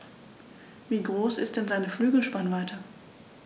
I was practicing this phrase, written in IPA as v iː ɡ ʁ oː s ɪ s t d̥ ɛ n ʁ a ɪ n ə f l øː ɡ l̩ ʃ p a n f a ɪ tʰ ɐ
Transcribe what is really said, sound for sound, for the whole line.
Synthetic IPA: v iː ɡ ʁ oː s ɪ s t d̥ ɛ n z a ɪ n ə f l yː ɡ l̩ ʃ p a n v a ɪ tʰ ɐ